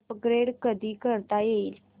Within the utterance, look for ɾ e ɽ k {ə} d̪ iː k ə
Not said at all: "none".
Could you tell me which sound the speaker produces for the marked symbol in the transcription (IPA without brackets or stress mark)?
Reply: ə